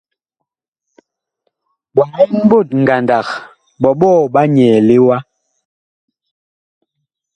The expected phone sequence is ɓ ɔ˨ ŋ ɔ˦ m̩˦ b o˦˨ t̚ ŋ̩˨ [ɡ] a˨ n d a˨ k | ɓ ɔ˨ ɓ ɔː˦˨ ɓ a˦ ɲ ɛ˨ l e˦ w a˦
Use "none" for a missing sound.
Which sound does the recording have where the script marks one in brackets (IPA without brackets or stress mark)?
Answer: ɡ